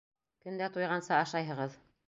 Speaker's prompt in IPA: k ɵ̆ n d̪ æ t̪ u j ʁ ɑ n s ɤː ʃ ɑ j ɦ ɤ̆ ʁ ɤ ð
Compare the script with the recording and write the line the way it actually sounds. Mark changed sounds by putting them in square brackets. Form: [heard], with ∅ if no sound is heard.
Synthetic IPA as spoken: k ɵ̆ n d̪ æ t̪ u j ʁ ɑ n s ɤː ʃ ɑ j ɦ ɤ̆ ʁ ɤ ð